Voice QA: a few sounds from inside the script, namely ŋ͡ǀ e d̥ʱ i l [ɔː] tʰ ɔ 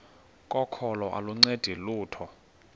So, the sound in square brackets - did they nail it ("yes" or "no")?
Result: no